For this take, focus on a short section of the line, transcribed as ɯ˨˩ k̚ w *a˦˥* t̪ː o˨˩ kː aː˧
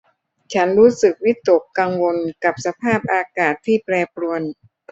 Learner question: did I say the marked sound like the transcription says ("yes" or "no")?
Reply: no